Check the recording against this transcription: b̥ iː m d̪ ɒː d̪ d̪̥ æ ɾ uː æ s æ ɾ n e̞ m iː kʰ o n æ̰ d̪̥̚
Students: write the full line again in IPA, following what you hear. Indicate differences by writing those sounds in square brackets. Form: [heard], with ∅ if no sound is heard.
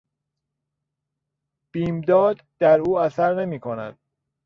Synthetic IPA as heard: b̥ iː m d̪ ɒː d̪ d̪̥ æ ɾ uː æ s æ ɾ n e̞ m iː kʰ o n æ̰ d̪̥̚